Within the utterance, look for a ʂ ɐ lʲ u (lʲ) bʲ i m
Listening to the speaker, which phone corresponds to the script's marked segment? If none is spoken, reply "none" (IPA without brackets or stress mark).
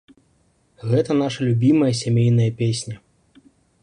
none